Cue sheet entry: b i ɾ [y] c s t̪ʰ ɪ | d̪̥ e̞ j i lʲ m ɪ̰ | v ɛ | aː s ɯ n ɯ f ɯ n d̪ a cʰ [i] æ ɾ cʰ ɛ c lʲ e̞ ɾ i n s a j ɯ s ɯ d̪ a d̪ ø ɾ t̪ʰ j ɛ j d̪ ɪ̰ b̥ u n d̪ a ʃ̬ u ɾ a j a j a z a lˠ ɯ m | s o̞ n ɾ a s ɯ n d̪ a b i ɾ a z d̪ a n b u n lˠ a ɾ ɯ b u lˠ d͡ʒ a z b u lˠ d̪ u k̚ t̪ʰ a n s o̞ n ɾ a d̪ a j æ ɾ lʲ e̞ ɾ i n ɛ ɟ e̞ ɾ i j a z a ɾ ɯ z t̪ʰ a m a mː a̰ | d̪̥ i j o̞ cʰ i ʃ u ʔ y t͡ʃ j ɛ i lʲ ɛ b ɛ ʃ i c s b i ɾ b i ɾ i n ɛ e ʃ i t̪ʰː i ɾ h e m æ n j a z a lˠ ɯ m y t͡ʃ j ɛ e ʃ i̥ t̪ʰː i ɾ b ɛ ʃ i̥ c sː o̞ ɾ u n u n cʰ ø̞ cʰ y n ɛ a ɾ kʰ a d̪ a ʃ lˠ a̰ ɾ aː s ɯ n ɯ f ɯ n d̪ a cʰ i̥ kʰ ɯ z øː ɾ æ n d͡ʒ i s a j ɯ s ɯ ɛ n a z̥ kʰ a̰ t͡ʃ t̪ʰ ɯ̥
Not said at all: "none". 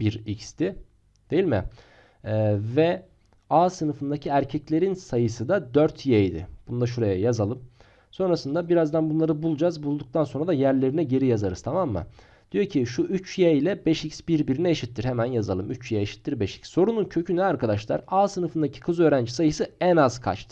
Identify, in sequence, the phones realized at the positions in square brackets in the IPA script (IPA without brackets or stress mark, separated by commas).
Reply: i, i